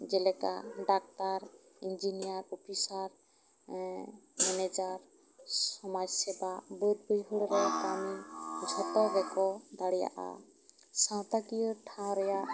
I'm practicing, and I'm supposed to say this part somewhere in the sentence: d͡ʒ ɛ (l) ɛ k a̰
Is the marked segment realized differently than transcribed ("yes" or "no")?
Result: no